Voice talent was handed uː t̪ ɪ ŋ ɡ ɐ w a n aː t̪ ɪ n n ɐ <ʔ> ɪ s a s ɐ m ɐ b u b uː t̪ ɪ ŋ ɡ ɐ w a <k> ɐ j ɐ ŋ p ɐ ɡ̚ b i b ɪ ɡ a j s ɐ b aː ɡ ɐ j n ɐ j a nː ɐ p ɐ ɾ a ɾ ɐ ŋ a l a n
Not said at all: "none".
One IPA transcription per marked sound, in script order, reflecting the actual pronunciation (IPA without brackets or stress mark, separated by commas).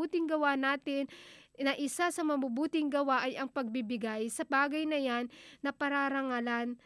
ʔ, ʔ